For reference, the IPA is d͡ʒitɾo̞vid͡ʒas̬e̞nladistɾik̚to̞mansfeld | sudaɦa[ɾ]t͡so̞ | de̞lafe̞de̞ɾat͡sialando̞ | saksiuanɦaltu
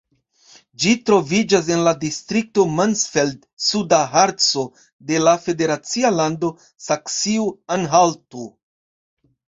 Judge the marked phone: correct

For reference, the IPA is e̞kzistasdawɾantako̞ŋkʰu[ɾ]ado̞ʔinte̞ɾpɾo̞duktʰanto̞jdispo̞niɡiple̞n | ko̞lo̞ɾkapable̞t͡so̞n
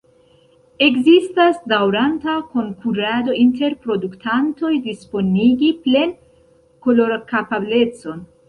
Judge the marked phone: correct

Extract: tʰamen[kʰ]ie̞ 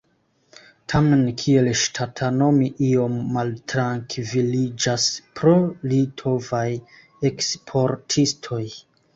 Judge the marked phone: correct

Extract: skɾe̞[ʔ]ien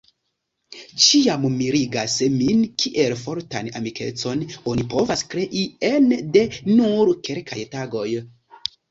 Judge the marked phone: correct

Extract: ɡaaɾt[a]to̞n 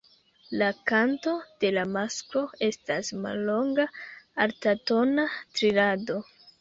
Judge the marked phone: correct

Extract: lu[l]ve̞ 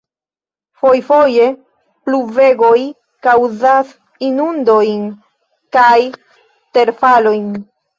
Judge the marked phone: incorrect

